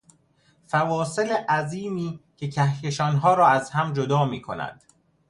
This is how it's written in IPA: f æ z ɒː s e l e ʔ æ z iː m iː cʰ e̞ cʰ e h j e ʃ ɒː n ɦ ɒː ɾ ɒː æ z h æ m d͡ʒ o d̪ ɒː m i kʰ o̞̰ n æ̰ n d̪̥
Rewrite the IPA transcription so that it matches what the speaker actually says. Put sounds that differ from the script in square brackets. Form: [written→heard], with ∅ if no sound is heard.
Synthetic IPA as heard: f æ [z→v] ɒː s e l e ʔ æ z iː m iː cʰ e̞ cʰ [e→æ] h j e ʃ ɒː n ɦ ɒː ɾ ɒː æ z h æ m d͡ʒ o d̪ ɒː m [i→iː] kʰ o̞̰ n æ̰ n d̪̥